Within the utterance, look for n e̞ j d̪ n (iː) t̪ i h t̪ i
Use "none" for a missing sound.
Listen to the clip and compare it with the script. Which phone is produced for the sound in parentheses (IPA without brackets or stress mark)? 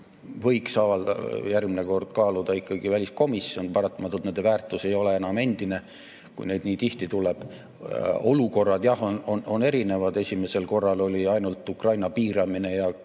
iː